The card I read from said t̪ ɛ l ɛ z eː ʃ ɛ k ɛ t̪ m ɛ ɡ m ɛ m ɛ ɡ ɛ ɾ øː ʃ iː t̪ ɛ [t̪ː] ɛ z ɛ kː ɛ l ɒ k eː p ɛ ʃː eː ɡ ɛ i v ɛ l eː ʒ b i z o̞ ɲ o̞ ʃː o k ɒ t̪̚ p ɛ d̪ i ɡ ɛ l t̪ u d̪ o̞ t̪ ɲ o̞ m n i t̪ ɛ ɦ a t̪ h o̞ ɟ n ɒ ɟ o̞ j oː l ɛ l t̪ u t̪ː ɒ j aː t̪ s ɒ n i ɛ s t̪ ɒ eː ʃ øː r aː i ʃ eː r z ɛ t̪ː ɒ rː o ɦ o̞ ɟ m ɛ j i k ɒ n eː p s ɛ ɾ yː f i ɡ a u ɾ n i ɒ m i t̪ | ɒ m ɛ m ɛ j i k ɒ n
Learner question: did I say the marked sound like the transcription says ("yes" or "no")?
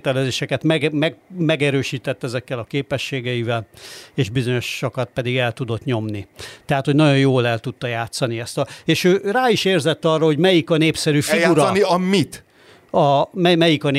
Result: yes